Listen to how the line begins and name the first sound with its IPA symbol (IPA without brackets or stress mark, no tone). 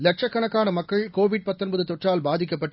l